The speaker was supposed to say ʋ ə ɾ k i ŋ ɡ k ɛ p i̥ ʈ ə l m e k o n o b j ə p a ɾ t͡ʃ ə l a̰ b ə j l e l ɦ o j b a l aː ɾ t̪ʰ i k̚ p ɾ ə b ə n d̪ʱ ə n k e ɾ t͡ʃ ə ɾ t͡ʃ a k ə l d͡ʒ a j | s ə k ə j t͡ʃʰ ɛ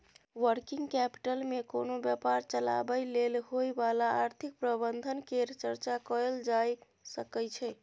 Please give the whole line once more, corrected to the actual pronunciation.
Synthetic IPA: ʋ ə ɾ k i ŋ ɡ k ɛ p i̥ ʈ ə l m e k o n o b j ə p a ɾ t͡ʃ ə l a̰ b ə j l e l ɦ o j b a l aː ɾ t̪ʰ i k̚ p ɾ ə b ə n d̪ʱ ə n k e ɾ t͡ʃ ə ɾ t͡ʃ a k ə l d͡ʒ a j | s ə k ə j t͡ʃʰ ɛ